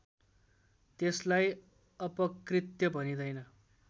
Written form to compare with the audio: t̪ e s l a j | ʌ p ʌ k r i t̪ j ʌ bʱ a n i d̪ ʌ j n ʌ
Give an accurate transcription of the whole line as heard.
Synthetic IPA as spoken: t̪ e s l a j | ʌ p ʌ k r i t̪ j ʌ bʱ ʌ n i d̪ ʌ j n ʌ